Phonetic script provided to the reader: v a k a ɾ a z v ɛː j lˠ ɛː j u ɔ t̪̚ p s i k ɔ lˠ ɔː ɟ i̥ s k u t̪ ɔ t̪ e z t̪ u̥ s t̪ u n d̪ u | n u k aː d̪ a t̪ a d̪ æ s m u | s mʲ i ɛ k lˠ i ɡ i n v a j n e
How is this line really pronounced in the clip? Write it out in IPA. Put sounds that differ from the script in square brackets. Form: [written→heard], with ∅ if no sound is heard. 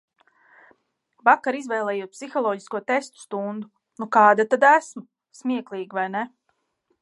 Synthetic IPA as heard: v a k a ɾ [a→i] z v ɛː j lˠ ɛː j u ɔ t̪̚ p s i [k→x] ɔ lˠ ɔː ɟ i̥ s k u [t̪→∅] ɔ t̪ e [z→s] t̪ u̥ s t̪ u n d̪ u | n u k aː d̪ a t̪ a d̪ æ s m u | s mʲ i ɛ k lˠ [i→iː] ɡ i [n→∅] v a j n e